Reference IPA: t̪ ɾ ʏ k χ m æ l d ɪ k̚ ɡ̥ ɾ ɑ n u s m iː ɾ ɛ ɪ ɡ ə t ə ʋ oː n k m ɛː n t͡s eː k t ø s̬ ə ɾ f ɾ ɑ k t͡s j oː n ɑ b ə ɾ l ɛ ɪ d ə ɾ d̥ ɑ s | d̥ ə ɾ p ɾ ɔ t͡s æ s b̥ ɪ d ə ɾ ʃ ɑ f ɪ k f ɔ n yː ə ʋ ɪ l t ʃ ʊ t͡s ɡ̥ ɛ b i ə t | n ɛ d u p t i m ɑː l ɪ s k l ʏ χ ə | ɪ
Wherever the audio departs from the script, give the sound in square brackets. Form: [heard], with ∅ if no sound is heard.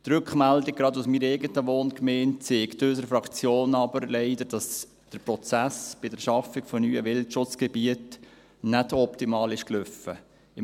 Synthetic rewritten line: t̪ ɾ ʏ k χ m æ l d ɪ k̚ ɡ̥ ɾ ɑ [d] u s m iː ɾ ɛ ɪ ɡ ə t ə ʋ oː n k m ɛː n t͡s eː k t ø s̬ ə ɾ f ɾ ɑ k t͡s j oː n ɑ b ə ɾ l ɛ ɪ d ə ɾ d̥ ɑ s | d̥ ə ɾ p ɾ ɔ t͡s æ s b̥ ɪ d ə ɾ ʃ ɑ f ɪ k f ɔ n yː ə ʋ ɪ l t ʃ ʊ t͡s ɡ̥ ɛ b i ə t | n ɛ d [ɔ] p t i m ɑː l ɪ [ʃ] k l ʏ [f] ə | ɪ